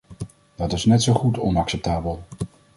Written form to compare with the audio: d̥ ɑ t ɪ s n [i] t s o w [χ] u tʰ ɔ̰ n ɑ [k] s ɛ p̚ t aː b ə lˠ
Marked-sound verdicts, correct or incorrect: incorrect: ɛ, correct, correct

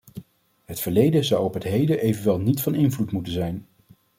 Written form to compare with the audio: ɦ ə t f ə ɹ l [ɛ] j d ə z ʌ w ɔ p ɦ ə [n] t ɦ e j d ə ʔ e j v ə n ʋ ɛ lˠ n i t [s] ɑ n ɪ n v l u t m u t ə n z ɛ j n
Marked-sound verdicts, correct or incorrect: incorrect: e, incorrect: none, incorrect: f

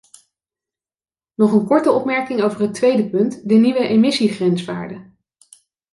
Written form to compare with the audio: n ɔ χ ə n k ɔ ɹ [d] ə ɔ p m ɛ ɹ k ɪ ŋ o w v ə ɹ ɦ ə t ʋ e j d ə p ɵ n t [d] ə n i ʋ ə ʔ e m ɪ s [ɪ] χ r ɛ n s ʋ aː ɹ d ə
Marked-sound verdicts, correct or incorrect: incorrect: t, correct, incorrect: i

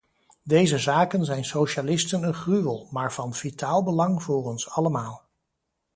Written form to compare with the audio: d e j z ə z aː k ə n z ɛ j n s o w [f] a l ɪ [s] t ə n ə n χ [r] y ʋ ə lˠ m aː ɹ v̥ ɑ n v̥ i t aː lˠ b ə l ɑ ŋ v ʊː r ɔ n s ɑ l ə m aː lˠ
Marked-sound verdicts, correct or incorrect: incorrect: ʃ, correct, correct

